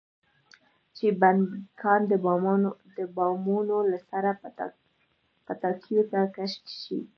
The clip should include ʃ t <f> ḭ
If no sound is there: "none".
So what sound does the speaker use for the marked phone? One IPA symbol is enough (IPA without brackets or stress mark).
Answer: ʃ